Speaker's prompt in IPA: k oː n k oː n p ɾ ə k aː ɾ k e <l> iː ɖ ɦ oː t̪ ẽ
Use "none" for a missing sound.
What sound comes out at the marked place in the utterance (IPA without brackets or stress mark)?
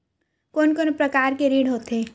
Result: ɾ